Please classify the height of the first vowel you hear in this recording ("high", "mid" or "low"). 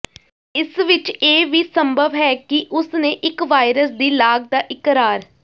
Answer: high